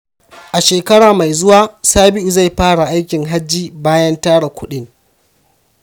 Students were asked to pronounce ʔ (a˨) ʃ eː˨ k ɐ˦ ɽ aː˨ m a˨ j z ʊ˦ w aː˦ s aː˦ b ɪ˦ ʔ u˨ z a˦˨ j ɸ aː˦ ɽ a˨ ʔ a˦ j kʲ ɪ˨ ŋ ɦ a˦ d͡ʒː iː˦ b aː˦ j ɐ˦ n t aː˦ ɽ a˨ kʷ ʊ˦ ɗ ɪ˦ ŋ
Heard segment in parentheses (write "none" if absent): a˨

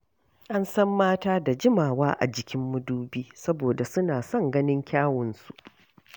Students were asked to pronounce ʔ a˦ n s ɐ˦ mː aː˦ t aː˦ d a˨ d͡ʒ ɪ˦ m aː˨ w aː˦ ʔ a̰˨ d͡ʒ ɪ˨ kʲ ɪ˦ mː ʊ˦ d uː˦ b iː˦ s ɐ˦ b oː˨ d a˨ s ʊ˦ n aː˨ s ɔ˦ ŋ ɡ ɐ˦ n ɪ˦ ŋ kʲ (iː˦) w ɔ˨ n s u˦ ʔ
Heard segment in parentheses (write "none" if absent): aː˦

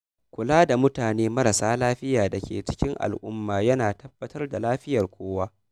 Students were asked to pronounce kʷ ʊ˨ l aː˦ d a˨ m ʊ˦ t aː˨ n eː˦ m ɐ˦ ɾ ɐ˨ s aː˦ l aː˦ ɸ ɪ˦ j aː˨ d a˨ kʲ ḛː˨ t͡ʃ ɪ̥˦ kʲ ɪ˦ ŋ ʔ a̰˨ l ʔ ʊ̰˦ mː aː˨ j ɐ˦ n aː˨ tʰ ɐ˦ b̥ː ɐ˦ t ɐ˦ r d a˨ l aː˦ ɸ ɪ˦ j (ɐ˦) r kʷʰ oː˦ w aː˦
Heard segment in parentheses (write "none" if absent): ɐ˨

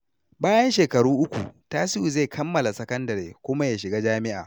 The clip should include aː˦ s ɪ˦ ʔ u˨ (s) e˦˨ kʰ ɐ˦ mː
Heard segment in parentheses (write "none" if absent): z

